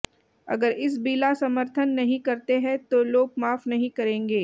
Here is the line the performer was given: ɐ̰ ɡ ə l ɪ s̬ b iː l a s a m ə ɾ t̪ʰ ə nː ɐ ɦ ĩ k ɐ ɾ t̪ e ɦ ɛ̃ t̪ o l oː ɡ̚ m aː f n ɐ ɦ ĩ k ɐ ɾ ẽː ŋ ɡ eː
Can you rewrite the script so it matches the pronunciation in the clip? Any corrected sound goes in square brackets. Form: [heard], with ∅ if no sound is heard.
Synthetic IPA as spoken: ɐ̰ ɡ ə [ɾ] ɪ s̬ b iː l a s [ɐ] m ə ɾ t̪ʰ ə nː ɐ ɦ ĩ k ɐ ɾ t̪ e ɦ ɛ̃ t̪ o l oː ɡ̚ m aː f n ɐ ɦ ĩ k ɐ ɾ ẽː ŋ ɡ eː